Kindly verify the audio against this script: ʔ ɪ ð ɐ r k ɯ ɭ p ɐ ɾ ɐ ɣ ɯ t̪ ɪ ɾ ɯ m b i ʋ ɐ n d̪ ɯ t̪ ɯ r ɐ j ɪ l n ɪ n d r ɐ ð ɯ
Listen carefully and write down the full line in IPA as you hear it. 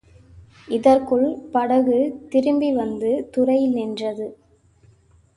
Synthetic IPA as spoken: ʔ ɪ ð ɐ r k ɯ ɭ p ɐ ɽ ɐ ɣ ɯ t̪ ɪ ɾ ɯ m b i ʋ ɐ n d̪ ɯ t̪ ʊ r ɐ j ɪ l n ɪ n d r ɐ ð ɯ

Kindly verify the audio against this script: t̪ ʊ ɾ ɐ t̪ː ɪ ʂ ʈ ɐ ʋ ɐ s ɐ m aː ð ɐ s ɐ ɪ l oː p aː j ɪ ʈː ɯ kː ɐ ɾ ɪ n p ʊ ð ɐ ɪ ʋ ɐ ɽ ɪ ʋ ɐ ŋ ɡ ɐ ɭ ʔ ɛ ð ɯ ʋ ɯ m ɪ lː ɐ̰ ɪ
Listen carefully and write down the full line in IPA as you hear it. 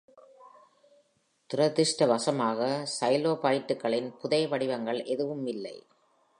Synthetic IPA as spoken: t̪ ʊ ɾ ɐ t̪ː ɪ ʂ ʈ ɐ ʋ ɐ s ɐ m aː ɣ ɐ s ɐ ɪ l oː p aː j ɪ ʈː ɯ kː ɐ ɭ ɪ n p ʊ ð ɐ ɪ ʋ ɐ ɽ ɪ ʋ ɐ ŋ ɡ ɐ ɭ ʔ ɛ ð ɯ ʋ ɯ m ɪ lː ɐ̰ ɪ

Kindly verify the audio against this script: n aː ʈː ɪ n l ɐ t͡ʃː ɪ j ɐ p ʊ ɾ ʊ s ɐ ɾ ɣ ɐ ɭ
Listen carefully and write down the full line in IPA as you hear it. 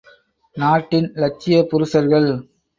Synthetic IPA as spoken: n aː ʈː ɪ n l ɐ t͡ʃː ɪ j ɐ p ʊ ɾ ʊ s ɐ ɾ ɣ ɐ ɭ

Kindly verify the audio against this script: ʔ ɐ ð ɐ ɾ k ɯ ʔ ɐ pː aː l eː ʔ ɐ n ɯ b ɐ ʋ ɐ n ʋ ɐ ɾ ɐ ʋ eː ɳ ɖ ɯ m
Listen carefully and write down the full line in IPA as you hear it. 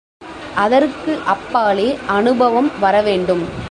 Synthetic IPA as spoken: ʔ ɐ ð ɐ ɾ k ɯ ʔ ɐ pː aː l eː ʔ ɐ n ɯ b ɐ ʋ ɐ m ʋ ɐ ɾ ɐ ʋ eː ɳ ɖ ɯ m

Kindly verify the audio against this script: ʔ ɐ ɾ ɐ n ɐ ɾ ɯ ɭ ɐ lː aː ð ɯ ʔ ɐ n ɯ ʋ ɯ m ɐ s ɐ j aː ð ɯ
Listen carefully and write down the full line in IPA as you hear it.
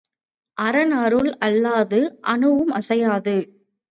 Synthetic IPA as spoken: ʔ ɐ ɾ ɐ n ɐ ɾ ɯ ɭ ɐ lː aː ð ɯ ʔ ɐ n ɯ ʋ ɯ m ɐ s ɐ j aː ð ɯ

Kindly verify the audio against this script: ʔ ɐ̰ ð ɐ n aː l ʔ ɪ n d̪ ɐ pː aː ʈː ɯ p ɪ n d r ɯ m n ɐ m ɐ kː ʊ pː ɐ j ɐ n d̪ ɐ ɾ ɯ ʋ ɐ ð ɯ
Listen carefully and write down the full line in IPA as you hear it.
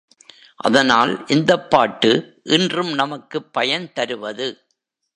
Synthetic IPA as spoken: ʔ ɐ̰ ð ɐ n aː l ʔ ɪ n d̪ ɐ pː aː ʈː ɯ ʔ ɪ n d r ɯ m n ɐ m ɐ kː ɯ pː ɐ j ɐ n t̪ ɐ ɾ ɯ ʋ ɐ ð ɯ

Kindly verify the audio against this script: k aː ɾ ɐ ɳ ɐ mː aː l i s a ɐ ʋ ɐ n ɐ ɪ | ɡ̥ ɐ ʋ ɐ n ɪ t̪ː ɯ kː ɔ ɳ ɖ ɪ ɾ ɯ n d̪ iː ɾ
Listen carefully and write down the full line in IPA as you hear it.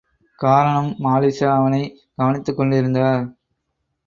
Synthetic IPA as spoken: k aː ɾ ɐ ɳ ɐ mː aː l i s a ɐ ʋ ɐ n ɐ ɪ | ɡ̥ ɐ ʋ ɐ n ɪ t̪ː ɯ kː ɔ ɳ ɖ ɪ ɾ ɯ n d̪ aː ɾ

